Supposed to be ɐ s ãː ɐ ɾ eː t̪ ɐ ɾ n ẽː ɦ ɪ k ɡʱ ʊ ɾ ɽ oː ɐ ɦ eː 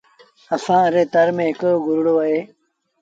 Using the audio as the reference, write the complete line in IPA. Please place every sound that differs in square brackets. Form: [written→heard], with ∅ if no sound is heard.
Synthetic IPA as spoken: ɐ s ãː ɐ ɾ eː t̪ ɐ ɾ [n→m] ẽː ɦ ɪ k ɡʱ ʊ ɾ ɽ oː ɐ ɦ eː